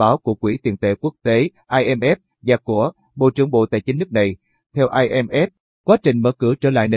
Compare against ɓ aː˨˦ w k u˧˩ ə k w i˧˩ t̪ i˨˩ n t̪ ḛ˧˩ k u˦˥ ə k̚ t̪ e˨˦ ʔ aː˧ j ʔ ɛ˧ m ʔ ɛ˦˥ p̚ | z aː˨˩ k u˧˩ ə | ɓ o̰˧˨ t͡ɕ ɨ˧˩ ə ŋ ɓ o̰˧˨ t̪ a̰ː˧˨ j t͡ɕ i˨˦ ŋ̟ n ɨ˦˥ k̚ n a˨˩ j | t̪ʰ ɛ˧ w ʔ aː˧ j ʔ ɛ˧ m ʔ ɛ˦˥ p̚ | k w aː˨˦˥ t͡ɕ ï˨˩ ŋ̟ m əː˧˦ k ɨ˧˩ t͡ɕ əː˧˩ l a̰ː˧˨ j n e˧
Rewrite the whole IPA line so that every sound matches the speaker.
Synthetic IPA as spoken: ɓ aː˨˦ w k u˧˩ ə k w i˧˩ t̪ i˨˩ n t̪ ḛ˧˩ k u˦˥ ə k̚ t̪ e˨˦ ʔ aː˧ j ʔ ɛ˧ m ʔ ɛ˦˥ p̚ | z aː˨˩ k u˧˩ ə | ɓ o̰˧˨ t͡ɕ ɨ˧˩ ə ŋ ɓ o̰˧˨ t̪ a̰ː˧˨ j t͡ɕ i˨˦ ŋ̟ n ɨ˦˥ k̚ n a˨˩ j | t̪ʰ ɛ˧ w ʔ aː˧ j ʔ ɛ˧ m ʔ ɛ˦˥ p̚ | k w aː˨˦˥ t͡ɕ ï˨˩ ŋ̟ m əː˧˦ k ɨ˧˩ t͡ɕ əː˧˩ l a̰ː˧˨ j n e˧